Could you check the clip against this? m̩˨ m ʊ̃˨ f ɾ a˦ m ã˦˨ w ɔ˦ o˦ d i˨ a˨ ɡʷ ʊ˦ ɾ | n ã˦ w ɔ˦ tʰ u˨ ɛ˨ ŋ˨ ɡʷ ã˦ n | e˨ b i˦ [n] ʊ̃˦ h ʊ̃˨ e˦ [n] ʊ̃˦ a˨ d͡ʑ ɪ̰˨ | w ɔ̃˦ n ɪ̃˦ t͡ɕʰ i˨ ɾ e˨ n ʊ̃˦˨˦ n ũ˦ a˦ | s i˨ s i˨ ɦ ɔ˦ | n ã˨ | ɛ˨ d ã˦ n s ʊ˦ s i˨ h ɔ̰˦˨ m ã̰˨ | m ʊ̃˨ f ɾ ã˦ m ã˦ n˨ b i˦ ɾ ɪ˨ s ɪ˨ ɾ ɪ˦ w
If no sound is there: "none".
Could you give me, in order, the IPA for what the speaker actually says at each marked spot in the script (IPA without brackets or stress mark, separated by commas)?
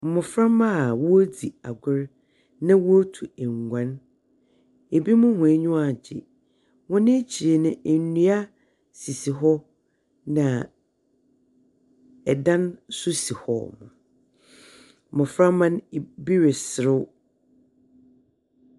m, ɲ